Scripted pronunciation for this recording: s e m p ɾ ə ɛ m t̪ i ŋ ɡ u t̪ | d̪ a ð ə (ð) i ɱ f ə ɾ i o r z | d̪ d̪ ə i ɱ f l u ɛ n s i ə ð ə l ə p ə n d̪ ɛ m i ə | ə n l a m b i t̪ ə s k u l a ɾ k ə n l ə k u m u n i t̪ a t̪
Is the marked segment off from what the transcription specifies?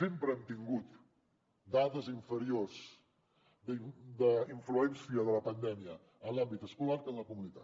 yes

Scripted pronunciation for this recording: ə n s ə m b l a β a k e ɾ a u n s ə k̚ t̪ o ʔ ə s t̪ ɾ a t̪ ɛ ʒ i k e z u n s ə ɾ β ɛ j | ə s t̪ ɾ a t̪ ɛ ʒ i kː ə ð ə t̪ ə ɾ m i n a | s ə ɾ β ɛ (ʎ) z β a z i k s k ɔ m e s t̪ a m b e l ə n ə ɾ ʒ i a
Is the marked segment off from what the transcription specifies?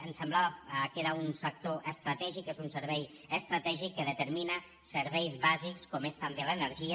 yes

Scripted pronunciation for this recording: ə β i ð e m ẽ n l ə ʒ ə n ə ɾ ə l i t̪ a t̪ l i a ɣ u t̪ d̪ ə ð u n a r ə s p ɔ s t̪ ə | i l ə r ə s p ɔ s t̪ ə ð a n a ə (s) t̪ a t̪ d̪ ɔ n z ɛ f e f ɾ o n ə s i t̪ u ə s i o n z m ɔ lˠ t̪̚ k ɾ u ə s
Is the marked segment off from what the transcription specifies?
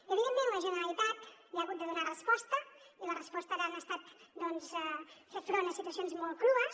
no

